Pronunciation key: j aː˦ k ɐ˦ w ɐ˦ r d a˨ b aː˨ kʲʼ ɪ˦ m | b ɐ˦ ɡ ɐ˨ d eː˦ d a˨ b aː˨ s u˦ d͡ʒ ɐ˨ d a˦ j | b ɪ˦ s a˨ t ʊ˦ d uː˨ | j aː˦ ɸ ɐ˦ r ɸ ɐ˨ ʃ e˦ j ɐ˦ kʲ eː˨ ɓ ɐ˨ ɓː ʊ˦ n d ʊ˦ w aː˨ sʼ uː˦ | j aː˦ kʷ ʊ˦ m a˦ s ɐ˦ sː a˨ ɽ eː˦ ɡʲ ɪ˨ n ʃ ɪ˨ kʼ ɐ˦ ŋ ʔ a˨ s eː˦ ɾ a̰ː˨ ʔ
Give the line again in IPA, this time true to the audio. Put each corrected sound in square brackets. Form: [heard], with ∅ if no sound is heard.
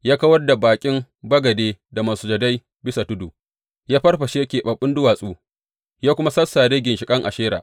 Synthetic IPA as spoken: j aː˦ k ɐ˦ w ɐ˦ r d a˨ b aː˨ kʲʼ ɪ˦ m | b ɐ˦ ɡ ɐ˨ d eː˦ d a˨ [m] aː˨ s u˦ d͡ʒ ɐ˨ d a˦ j | b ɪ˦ s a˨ t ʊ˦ d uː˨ | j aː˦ ɸ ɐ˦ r ɸ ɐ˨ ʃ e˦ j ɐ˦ kʲ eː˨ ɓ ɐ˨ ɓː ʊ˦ n d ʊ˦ w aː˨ sʼ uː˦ | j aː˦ kʷ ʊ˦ m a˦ s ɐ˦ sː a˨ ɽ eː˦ ɡʲ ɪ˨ n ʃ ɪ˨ kʼ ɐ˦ ŋ ʔ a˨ [ʃ] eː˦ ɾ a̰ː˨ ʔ